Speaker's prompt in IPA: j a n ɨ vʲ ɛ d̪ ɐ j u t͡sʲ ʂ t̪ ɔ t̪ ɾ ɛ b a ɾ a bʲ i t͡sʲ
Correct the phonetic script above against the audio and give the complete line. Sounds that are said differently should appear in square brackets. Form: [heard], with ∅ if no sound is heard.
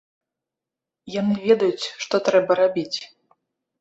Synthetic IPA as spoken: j a n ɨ vʲ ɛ d̪ ɐ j u t͡sʲ ʂ t̪ ɔ t̪ ɾ ɛ b [ɐ] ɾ a bʲ i t͡sʲ